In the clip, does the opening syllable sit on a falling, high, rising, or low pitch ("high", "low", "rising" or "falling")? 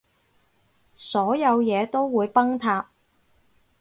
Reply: rising